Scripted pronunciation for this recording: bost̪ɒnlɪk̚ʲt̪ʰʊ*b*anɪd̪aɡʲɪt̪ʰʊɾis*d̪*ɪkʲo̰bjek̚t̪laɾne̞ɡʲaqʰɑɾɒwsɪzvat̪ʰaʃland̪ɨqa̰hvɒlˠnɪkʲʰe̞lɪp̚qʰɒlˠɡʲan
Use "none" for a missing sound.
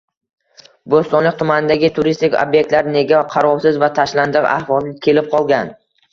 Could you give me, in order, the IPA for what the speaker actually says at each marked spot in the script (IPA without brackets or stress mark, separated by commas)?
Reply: m, t̪